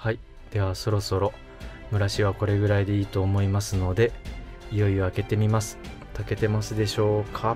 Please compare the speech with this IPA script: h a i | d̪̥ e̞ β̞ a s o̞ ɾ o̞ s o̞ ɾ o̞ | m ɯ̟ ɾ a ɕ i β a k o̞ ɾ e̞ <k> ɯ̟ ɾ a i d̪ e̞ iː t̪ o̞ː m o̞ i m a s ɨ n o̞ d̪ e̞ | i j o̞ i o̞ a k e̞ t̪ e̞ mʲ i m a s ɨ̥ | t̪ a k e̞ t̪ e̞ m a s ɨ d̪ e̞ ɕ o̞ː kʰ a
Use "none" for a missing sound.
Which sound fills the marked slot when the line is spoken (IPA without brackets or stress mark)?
ɡ